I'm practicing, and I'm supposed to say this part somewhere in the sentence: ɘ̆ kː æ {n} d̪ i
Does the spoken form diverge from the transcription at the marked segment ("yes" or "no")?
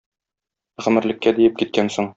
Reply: yes